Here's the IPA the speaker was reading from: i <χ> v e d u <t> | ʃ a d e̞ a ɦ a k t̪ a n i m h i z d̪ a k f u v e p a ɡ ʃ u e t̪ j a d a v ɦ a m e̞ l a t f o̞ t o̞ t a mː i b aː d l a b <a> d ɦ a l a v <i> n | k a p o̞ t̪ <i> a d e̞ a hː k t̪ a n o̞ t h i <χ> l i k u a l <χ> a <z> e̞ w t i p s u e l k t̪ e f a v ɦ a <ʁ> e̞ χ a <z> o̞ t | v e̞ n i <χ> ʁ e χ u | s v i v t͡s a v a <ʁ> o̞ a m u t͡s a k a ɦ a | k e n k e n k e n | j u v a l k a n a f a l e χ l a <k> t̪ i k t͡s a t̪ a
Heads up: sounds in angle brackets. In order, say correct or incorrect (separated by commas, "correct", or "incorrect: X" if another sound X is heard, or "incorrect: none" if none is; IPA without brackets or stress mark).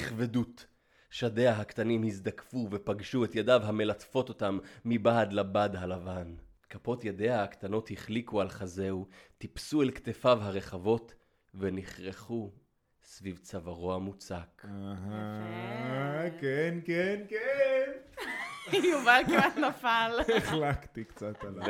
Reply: correct, correct, correct, incorrect: a, incorrect: j, correct, correct, correct, correct, incorrect: v, correct, correct, correct